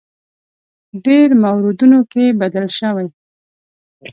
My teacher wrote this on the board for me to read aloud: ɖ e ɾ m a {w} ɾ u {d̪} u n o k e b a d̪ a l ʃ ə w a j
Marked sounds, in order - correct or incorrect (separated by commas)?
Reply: correct, correct